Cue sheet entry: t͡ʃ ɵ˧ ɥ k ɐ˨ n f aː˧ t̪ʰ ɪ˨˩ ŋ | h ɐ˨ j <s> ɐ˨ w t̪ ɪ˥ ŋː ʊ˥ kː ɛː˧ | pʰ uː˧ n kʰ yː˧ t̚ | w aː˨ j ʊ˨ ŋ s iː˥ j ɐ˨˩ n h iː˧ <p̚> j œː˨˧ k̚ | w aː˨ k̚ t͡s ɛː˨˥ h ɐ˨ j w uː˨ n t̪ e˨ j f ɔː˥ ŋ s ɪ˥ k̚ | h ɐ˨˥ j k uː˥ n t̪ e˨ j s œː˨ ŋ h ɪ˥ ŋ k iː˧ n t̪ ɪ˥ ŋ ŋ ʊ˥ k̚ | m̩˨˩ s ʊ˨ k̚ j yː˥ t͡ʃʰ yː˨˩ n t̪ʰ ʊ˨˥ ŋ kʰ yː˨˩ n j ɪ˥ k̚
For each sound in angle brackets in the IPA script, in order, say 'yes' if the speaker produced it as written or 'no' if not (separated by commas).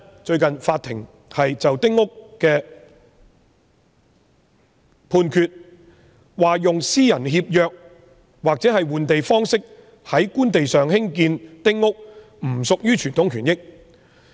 no, yes